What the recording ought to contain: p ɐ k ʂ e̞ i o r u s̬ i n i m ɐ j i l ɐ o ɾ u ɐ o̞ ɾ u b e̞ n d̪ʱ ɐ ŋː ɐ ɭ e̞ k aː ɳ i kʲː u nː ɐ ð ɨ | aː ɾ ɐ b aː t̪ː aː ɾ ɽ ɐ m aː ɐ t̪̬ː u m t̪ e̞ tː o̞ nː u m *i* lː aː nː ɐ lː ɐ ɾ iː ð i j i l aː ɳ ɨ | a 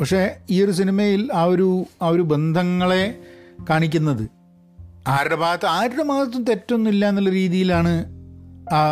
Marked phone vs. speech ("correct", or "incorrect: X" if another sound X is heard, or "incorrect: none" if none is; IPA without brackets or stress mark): correct